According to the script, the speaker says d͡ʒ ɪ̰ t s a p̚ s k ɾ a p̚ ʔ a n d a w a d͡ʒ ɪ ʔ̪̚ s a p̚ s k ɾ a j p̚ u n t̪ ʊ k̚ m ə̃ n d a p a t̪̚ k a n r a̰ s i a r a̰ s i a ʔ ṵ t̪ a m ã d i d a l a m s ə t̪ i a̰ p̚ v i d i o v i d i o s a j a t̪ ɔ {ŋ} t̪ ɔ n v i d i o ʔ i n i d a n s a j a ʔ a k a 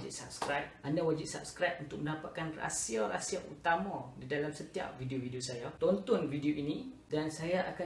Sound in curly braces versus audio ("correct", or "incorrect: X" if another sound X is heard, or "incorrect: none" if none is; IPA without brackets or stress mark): incorrect: n